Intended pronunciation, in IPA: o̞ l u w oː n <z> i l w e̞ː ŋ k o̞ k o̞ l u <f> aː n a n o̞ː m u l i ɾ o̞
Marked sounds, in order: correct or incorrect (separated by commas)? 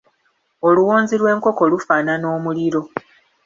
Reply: correct, correct